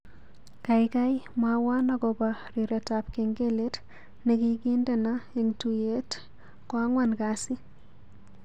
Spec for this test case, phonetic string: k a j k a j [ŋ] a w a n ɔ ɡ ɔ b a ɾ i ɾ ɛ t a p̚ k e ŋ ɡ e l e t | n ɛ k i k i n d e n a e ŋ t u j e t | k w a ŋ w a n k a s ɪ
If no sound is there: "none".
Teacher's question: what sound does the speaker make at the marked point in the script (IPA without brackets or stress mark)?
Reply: m